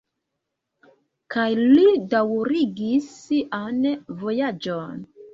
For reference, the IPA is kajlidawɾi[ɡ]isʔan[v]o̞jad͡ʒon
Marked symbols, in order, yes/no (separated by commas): yes, yes